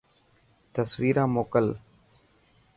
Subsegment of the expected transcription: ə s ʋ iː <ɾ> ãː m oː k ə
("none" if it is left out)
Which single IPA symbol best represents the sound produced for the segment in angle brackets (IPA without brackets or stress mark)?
ɾ